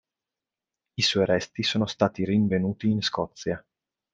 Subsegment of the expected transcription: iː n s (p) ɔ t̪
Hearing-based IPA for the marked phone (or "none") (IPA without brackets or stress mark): k